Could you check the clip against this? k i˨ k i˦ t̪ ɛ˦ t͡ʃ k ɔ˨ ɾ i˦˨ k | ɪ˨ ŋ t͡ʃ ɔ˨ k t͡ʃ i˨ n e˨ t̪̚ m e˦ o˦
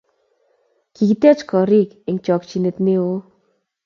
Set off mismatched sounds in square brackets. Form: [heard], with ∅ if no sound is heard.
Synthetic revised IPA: k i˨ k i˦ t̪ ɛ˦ t͡ʃ k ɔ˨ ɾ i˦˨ k | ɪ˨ ŋ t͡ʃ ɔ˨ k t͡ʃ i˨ n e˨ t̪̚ [n] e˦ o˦